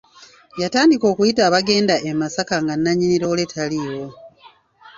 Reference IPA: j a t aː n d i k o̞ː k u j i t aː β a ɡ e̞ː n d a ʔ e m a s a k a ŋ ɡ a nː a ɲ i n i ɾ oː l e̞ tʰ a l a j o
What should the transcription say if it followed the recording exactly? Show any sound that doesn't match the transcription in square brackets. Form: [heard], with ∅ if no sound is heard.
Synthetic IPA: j a t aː n d i k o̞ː k u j i t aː β a ɡ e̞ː n d a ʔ e m a s a k a ŋ ɡ a nː a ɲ i n i ɾ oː l e̞ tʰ a l [i] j o